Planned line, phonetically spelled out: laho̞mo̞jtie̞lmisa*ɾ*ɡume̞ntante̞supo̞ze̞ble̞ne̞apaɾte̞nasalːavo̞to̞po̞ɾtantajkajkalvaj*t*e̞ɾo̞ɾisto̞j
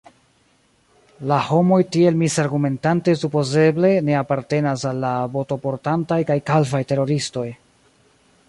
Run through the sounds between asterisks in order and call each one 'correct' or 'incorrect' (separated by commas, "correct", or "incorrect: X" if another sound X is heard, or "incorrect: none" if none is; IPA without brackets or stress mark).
correct, correct